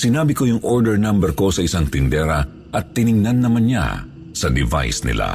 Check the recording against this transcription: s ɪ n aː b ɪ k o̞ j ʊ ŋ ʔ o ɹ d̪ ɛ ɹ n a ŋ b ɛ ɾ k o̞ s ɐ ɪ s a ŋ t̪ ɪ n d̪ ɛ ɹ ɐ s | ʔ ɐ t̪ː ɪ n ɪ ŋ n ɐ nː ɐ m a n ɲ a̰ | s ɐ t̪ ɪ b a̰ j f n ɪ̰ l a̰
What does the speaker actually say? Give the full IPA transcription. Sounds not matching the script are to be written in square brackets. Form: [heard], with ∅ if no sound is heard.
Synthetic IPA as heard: s ɪ n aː b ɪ k o̞ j ʊ ŋ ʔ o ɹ d̪ ɛ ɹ n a [m] b ɛ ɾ k o̞ s ɐ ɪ s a ŋ t̪ ɪ n d̪ ɛ [ɾ] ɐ [∅] | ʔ ɐ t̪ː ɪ n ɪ ŋ n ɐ nː ɐ m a n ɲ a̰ | s ɐ [d̪] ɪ [v] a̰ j [s] n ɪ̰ l a̰